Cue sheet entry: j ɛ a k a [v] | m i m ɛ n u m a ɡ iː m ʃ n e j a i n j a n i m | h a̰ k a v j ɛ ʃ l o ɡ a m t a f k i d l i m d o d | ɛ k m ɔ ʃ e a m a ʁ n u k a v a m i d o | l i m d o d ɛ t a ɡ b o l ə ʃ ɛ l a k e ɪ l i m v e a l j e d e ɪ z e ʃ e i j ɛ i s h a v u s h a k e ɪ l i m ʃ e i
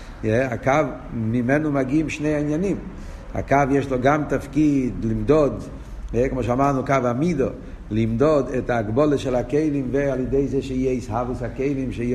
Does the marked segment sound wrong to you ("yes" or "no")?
no